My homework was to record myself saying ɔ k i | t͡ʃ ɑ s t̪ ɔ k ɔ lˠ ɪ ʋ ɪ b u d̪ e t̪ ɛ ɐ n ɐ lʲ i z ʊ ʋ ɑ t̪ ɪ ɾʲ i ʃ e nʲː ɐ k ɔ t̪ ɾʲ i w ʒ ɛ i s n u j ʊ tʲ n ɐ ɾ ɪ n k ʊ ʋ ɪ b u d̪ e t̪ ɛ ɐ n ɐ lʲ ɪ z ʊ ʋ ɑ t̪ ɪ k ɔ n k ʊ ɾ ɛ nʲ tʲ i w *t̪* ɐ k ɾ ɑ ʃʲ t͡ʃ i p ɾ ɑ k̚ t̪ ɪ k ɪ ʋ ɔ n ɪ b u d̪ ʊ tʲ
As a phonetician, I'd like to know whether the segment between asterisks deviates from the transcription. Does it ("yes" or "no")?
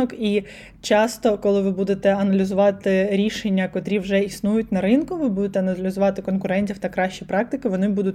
no